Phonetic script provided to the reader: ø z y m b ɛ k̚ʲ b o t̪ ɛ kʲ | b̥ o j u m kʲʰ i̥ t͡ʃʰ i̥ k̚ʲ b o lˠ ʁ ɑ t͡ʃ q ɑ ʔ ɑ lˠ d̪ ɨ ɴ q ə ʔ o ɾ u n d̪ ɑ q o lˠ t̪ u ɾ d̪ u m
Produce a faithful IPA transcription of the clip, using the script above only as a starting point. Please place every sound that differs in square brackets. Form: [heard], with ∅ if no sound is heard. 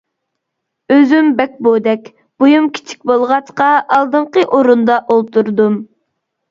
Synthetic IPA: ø z y m b ɛ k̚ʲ b o [d̪] ɛ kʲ | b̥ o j u m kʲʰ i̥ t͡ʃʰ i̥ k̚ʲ b o lˠ ʁ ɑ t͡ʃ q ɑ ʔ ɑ lˠ d̪ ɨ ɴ q ə ʔ o ɾ u n d̪ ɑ [ʔ] o lˠ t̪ u ɾ d̪ u m